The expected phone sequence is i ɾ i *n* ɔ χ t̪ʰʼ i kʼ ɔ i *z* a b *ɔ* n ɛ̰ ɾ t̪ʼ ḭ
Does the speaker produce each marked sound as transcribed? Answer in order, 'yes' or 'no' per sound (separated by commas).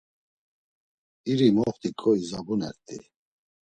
no, yes, no